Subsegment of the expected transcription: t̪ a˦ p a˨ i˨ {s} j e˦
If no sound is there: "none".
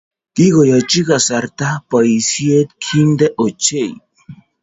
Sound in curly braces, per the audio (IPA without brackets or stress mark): s